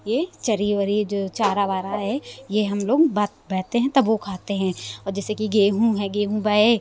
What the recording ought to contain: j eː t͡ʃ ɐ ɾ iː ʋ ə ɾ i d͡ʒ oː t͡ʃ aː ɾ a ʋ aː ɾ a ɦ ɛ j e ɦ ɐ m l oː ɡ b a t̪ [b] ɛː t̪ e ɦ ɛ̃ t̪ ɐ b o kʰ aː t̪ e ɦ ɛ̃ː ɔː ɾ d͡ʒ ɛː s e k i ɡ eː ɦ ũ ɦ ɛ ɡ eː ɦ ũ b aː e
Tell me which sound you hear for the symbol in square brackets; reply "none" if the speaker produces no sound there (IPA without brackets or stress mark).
b